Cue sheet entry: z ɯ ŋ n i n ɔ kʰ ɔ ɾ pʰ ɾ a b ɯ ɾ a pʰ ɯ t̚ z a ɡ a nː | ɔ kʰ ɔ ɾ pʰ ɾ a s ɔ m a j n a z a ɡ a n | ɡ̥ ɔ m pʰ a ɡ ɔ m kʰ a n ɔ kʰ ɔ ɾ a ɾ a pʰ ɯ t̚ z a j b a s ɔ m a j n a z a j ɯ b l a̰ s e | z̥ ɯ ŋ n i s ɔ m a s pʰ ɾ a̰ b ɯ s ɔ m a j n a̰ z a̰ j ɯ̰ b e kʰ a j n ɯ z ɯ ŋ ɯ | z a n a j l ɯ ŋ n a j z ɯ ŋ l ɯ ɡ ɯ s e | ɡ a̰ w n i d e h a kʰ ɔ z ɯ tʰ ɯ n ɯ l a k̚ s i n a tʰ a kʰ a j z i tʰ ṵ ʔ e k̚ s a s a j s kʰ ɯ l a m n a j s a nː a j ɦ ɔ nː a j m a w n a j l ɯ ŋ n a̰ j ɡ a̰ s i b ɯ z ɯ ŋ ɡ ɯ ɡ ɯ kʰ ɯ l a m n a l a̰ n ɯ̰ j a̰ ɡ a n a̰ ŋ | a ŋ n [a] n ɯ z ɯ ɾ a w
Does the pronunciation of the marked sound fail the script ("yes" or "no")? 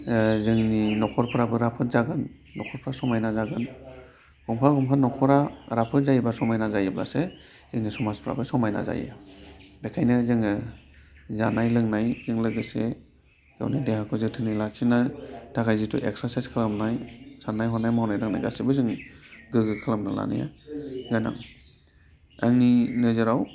yes